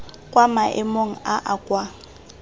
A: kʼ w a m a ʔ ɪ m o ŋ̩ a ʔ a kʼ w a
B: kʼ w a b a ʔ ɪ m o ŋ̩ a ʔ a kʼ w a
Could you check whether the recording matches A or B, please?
A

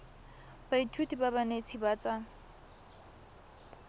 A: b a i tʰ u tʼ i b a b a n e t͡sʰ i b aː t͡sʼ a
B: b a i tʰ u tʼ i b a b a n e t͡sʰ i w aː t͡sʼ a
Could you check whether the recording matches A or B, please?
A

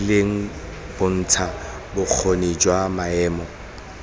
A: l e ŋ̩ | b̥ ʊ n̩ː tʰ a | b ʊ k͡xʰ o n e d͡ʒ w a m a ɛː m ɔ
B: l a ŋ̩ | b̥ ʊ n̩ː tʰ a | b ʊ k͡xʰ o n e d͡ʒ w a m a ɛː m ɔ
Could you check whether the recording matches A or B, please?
A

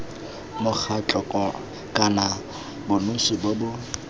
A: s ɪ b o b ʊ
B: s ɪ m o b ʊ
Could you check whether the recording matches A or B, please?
A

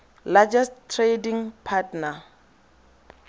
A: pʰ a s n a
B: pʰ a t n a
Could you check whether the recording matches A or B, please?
B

